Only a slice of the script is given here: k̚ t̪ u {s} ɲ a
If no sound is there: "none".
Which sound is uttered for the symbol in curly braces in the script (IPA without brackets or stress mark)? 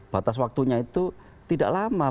none